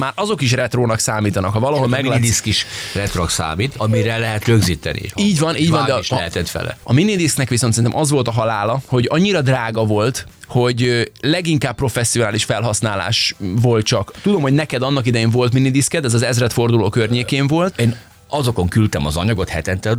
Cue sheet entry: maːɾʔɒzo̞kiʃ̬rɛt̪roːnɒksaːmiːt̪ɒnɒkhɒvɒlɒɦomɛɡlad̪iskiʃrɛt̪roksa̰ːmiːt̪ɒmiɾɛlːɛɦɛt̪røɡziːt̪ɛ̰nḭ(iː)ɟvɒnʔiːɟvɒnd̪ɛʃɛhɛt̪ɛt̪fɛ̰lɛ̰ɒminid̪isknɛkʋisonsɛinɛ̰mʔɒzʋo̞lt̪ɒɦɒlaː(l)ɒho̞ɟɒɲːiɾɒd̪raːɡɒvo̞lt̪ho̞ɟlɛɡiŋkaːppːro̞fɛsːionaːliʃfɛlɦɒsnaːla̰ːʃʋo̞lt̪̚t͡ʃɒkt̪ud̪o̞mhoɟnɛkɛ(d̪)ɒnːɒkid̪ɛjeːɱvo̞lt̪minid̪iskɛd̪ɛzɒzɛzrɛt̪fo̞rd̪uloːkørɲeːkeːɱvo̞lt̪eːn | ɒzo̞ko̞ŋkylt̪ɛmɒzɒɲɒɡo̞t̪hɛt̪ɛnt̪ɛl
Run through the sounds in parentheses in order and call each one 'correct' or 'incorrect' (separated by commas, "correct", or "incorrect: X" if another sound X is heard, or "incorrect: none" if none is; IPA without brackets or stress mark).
correct, correct, correct